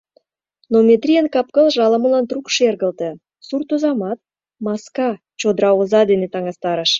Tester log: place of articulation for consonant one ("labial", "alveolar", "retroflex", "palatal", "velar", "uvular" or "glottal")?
alveolar